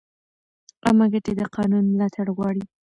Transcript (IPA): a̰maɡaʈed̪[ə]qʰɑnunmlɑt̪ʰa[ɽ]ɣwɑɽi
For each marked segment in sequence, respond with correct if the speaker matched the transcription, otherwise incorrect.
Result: correct, correct

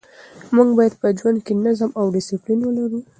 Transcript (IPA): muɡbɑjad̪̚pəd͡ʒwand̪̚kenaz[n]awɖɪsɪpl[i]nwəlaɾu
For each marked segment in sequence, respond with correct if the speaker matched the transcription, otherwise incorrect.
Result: incorrect: m, correct

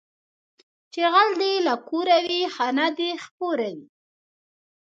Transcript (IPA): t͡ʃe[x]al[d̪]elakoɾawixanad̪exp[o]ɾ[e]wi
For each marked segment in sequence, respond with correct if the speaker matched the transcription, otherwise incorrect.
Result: incorrect: ɣ, correct, correct, incorrect: a

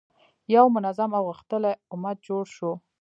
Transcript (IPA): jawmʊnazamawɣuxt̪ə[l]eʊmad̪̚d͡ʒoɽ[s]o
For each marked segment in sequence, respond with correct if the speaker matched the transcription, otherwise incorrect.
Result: correct, incorrect: ʃ

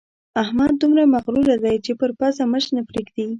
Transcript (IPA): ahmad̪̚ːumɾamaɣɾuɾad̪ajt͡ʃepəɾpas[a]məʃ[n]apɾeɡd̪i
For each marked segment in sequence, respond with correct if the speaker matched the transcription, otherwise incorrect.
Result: correct, correct

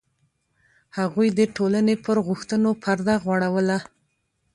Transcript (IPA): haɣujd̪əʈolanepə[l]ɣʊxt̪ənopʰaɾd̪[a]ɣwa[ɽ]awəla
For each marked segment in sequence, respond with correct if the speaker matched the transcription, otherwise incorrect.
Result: incorrect: ɾ, correct, correct

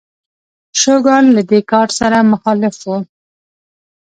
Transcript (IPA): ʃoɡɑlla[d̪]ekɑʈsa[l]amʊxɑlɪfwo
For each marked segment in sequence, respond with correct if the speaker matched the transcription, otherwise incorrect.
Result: correct, incorrect: ɾ

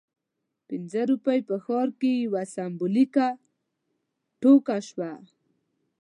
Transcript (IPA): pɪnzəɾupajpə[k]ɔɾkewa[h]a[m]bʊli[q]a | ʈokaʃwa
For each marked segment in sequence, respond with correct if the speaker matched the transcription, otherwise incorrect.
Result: incorrect: x, incorrect: s, correct, incorrect: k

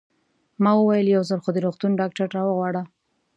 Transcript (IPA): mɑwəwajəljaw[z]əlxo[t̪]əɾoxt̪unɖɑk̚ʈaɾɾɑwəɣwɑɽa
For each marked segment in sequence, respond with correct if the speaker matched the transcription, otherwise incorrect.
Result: correct, incorrect: d̪

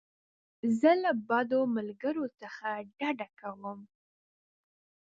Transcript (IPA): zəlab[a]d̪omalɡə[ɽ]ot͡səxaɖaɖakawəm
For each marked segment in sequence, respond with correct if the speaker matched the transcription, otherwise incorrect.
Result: incorrect: ɑ, incorrect: ɾ

